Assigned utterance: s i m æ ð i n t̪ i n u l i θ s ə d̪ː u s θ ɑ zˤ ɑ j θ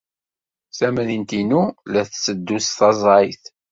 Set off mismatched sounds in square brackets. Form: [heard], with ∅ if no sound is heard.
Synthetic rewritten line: s [æ] m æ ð i n t̪ i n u l [æ] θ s ə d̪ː u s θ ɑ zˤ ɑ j θ